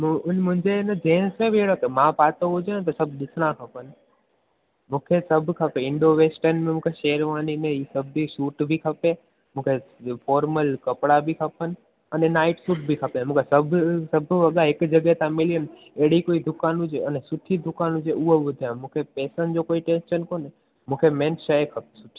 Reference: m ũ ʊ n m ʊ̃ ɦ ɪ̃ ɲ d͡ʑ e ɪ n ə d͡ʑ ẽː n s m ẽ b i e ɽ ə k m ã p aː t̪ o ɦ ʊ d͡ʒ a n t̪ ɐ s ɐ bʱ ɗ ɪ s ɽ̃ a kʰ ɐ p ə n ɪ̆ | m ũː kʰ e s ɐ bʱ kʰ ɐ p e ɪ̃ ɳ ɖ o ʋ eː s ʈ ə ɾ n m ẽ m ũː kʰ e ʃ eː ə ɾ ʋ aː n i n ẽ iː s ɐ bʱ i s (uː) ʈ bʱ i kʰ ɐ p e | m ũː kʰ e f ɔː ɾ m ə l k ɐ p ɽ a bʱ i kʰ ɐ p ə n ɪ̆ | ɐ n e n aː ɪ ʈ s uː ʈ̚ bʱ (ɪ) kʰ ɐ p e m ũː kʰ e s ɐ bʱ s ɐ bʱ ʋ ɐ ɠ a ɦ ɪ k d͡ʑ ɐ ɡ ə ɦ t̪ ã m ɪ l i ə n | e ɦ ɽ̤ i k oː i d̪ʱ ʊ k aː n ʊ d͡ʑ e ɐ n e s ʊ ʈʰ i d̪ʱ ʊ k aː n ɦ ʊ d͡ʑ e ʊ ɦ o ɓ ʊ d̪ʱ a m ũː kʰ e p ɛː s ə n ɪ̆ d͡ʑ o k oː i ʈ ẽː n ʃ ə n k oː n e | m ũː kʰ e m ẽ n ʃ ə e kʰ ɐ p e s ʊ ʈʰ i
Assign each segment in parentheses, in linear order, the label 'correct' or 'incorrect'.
correct, incorrect

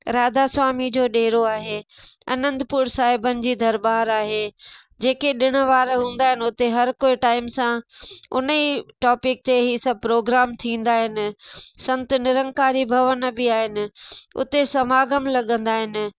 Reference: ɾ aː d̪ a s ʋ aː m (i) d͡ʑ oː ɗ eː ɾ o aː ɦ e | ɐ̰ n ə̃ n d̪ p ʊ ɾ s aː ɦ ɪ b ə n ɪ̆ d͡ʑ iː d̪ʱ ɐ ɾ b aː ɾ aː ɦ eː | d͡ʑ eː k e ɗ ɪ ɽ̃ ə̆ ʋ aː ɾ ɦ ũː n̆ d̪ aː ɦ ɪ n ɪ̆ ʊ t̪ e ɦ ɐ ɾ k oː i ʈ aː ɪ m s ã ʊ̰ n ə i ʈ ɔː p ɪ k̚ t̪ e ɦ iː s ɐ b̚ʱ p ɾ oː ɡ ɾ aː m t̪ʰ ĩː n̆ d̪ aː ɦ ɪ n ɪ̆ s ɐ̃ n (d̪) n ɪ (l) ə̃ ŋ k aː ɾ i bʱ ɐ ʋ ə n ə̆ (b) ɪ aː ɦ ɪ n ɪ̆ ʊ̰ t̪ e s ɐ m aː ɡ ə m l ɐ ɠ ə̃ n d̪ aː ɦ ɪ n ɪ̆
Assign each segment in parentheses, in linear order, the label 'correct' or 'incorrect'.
correct, incorrect, incorrect, correct

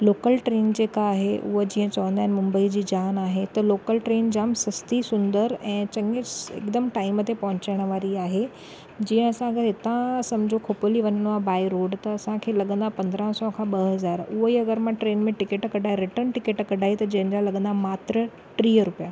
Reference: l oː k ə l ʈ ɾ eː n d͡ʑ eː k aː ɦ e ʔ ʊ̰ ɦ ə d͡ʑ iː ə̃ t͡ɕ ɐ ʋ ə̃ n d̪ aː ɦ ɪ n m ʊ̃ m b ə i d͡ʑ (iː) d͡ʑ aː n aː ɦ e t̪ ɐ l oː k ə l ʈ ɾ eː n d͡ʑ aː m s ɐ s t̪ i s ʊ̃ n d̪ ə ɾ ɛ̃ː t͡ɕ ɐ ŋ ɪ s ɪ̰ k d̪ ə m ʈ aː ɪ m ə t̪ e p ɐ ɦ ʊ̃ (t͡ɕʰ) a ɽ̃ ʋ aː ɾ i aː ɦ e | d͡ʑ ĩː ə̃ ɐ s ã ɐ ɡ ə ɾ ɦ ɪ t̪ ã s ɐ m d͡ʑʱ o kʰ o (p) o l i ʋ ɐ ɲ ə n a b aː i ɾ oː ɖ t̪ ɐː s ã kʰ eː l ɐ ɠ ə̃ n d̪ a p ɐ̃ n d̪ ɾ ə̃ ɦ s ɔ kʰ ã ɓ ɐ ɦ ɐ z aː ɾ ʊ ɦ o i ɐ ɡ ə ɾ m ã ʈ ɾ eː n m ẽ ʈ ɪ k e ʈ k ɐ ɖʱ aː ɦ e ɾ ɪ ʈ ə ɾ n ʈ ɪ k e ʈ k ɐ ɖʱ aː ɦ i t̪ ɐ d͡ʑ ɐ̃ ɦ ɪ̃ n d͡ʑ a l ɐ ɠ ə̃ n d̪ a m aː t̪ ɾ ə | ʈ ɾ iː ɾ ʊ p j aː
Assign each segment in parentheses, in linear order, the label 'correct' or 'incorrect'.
correct, incorrect, correct

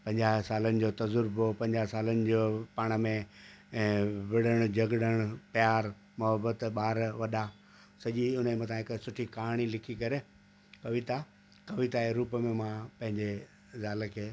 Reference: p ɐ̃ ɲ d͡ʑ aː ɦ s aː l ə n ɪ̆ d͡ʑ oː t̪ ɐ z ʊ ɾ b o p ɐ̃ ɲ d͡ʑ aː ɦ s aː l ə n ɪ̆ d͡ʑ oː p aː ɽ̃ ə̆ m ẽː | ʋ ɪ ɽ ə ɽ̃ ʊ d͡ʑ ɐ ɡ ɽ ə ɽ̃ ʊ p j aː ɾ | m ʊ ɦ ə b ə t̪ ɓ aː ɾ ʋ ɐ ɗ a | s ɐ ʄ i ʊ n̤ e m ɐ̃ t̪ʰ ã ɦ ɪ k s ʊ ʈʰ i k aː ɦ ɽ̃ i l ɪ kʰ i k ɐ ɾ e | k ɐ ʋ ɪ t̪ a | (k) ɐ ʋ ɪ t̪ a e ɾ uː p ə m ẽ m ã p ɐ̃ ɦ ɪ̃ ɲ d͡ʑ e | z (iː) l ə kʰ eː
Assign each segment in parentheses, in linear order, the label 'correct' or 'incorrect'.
correct, incorrect

